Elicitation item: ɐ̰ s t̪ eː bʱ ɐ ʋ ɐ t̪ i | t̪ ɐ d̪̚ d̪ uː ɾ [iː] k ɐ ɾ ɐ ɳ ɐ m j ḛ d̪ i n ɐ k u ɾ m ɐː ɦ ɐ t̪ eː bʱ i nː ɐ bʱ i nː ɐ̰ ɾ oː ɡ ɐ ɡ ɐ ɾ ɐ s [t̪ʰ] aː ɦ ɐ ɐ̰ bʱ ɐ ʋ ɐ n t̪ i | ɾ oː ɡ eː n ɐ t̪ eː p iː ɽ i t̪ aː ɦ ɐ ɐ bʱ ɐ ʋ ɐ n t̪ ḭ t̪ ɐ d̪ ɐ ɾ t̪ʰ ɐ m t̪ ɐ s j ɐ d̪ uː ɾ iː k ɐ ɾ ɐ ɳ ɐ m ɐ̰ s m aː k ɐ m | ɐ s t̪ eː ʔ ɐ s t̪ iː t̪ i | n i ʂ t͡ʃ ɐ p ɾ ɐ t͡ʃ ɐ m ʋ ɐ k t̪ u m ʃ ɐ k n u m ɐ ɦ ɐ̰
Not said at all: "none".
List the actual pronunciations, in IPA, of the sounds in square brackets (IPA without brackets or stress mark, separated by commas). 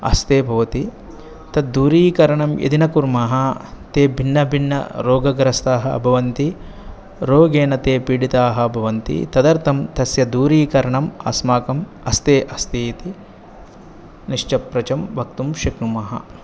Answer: iː, t̪